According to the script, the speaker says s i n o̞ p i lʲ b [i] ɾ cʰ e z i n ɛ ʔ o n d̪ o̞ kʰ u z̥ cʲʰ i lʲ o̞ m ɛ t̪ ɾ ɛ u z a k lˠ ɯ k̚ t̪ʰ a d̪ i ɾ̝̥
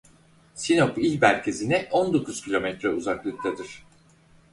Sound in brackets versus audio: incorrect: æ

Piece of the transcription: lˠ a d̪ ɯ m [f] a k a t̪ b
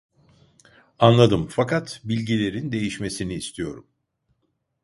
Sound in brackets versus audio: correct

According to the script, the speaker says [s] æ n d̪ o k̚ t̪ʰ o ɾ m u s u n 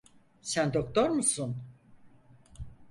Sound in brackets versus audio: correct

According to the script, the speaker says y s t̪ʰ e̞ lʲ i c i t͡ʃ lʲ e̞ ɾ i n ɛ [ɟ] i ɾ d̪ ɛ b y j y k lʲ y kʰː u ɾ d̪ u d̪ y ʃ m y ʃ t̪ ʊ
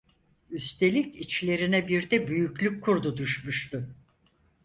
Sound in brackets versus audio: incorrect: b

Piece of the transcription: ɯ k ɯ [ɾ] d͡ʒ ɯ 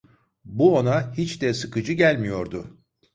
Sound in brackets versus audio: incorrect: none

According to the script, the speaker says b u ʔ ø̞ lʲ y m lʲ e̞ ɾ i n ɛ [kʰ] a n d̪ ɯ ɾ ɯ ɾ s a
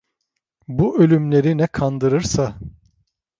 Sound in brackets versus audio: correct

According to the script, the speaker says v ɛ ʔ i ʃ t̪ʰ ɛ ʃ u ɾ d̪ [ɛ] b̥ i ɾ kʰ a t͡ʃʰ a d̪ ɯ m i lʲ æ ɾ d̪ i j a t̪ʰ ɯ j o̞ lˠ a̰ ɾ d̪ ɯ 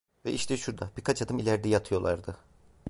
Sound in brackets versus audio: incorrect: a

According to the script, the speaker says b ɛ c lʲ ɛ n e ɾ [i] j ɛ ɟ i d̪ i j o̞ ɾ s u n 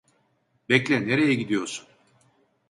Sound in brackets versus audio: incorrect: e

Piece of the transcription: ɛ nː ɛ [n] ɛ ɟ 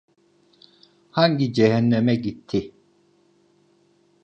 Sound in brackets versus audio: incorrect: m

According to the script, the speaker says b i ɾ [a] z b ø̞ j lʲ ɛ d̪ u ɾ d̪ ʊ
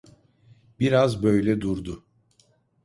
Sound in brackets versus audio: correct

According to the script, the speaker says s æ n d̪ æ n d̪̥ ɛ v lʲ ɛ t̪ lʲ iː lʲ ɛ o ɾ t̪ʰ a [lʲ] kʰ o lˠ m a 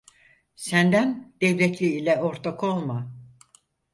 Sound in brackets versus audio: incorrect: none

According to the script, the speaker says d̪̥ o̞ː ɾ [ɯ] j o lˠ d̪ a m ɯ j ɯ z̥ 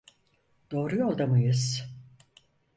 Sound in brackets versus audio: incorrect: u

